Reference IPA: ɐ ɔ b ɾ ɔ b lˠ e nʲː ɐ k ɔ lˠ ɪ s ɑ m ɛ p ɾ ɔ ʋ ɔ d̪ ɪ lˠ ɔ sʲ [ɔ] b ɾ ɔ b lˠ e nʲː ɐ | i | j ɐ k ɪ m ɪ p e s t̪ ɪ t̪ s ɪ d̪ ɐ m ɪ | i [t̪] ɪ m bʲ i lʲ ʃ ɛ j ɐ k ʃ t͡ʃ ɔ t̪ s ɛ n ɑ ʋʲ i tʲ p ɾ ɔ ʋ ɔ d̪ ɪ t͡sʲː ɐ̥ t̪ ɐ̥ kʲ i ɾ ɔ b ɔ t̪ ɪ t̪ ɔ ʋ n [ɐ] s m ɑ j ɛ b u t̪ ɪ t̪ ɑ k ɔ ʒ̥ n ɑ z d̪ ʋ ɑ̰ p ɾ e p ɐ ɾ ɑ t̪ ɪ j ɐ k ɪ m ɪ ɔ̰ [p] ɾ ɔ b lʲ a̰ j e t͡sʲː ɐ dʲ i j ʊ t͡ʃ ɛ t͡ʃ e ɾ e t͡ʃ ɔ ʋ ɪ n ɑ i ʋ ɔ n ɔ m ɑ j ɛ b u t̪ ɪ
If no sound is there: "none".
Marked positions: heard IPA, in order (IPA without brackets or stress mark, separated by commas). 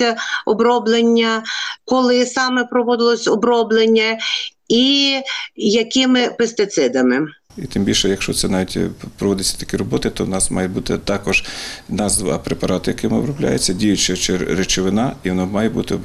ɔ, t̪, ɑ, b